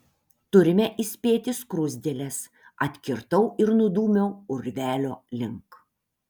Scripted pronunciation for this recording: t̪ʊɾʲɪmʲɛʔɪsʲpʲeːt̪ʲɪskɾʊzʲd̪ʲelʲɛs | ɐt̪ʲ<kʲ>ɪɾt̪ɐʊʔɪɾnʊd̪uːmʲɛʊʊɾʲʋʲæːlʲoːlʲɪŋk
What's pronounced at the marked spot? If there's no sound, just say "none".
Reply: kʲ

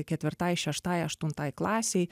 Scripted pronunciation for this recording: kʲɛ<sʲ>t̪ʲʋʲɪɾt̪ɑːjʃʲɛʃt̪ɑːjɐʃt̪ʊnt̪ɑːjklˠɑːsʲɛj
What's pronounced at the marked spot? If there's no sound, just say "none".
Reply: none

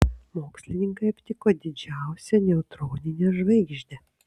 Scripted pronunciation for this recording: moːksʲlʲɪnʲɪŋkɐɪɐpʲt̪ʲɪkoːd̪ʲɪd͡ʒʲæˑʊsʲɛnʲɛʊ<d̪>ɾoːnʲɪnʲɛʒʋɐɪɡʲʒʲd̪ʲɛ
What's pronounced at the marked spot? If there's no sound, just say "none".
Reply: t̪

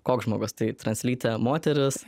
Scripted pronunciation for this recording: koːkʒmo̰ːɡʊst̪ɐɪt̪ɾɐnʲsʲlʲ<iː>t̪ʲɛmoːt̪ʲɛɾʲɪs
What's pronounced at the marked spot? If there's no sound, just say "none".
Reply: iː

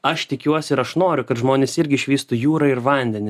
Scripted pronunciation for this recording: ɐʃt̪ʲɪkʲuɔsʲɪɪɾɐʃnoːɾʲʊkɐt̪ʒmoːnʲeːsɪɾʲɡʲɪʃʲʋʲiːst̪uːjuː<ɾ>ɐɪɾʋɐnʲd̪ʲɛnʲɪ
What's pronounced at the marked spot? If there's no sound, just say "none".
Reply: ɾ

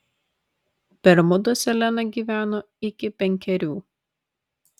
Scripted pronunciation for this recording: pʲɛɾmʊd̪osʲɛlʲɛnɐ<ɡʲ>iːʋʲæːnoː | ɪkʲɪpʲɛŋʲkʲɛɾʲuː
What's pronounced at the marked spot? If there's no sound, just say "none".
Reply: ɡʲ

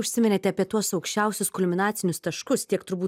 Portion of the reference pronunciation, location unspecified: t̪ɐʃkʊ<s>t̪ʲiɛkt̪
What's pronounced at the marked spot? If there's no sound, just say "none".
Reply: s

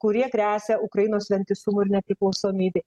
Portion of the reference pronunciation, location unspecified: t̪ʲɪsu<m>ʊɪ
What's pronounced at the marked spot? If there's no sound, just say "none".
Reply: m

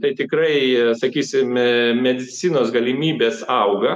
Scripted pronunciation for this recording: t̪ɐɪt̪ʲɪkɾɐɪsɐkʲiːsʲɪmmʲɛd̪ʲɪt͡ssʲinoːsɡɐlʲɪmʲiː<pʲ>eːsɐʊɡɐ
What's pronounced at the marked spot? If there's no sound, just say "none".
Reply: bʲ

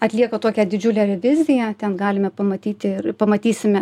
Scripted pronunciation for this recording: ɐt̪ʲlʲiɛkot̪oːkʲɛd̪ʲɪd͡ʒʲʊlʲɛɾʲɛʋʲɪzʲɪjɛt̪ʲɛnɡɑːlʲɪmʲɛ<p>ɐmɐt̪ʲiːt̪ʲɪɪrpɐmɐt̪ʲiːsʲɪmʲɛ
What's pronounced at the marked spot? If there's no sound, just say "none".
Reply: p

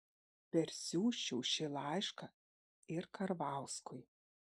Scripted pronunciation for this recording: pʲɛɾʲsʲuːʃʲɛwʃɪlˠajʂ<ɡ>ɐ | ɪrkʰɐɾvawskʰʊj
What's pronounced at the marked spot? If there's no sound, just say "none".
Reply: k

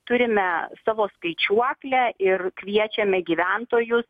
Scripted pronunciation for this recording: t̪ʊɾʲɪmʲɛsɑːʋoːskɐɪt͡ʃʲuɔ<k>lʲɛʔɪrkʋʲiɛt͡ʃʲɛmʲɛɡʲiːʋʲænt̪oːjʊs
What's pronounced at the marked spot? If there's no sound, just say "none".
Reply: k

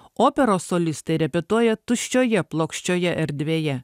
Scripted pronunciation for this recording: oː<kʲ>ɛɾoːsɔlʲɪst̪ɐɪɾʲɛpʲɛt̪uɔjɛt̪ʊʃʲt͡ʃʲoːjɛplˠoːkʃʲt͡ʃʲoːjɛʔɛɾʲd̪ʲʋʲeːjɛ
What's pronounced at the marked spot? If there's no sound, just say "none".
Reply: pʲ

